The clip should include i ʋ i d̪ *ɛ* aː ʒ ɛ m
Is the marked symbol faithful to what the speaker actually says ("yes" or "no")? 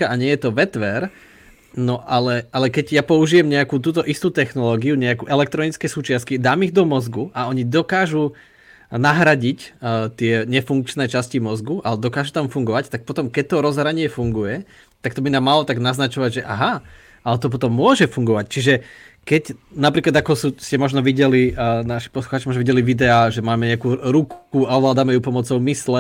yes